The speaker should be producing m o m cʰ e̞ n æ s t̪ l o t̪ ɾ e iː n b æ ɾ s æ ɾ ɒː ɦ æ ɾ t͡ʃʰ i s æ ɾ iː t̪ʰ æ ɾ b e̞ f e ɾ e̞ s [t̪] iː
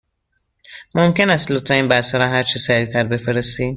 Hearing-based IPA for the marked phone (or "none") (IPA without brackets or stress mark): t̪